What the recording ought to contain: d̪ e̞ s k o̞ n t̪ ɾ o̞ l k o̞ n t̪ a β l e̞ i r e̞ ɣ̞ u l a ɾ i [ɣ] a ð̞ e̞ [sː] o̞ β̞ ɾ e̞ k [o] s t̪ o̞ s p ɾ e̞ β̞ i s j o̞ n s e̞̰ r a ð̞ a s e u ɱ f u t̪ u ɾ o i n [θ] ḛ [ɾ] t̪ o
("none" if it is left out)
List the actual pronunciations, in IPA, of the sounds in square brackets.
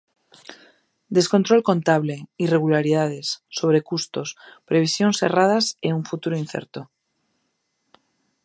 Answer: ð, sː, u, θ, ɾ

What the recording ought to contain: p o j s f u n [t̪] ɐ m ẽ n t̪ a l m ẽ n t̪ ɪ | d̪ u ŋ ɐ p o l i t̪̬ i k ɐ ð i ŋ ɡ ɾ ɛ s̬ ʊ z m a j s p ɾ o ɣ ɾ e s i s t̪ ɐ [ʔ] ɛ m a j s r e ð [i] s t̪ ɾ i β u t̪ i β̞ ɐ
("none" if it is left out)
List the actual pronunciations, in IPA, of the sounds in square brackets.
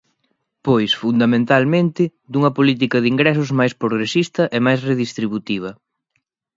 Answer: d̪, ʔ, i

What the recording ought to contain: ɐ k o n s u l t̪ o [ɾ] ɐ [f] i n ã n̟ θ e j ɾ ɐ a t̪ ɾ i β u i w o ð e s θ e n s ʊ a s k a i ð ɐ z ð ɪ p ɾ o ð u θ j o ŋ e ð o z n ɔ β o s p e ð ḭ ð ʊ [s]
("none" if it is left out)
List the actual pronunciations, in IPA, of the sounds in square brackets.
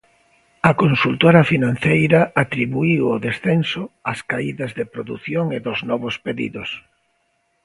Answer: ɾ, f, s

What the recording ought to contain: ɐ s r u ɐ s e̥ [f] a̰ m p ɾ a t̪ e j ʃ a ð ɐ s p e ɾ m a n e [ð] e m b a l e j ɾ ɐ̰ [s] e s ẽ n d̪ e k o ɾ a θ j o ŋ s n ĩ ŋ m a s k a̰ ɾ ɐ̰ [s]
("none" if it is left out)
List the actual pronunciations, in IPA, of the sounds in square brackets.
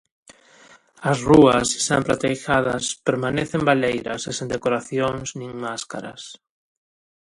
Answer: s, θ, s, s

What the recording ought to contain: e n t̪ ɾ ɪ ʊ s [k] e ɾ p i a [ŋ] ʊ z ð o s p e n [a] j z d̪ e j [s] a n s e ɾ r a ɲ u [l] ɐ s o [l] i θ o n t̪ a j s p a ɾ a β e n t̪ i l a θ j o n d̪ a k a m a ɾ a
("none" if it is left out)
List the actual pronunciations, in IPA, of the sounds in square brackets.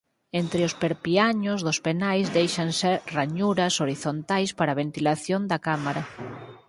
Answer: p, ɲ, a, ʃ, ɾ, ɾ

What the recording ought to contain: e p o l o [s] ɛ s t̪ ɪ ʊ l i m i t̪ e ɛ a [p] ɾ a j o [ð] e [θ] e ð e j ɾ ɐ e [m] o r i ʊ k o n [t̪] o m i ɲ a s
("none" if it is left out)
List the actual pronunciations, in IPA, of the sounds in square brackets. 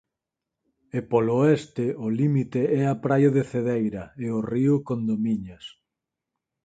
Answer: none, p, ð, θ, none, d̪

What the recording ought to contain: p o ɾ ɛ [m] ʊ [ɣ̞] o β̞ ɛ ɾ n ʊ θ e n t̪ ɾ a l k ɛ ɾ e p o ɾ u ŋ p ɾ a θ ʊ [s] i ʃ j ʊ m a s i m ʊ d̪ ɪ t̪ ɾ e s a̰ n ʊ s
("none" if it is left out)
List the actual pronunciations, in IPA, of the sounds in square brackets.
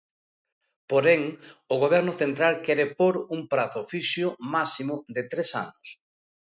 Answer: ŋ, ɣ̞, f

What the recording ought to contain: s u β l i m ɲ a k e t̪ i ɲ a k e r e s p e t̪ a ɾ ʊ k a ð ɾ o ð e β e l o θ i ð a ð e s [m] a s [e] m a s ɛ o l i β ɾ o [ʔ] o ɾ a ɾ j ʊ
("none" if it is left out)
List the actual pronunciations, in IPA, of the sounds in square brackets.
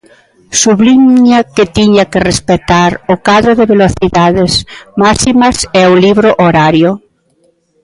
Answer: m, i, ʔ

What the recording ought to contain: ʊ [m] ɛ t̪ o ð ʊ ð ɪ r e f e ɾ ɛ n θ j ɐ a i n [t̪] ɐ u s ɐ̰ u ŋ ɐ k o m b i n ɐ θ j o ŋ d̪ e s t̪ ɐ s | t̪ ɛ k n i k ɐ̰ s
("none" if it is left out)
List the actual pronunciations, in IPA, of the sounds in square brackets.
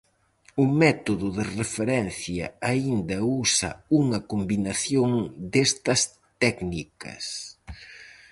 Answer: m, d̪

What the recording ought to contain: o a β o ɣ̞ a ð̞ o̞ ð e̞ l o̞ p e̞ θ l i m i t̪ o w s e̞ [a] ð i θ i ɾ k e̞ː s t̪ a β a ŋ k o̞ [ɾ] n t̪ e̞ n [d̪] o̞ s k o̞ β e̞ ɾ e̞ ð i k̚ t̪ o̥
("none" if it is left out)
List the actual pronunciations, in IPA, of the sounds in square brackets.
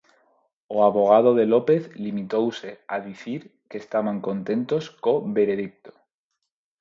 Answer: a, none, t̪

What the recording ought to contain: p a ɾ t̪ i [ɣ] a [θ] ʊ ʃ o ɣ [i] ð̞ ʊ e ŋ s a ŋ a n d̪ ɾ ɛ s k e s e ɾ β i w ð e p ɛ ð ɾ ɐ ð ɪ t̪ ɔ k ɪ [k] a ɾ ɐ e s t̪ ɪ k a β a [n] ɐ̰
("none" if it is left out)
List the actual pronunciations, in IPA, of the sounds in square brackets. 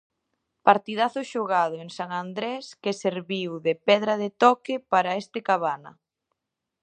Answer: ð, θ, a, p, n

